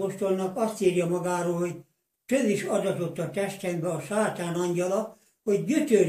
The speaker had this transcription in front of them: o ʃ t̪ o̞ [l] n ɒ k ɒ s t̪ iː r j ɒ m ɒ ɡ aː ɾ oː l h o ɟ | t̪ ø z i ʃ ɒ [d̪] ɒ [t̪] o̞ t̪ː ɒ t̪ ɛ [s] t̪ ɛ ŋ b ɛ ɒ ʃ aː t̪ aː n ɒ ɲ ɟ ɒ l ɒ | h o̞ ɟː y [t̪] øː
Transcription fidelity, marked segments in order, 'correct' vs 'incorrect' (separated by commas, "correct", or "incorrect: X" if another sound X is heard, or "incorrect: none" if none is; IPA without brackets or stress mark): correct, correct, correct, incorrect: ʃ, correct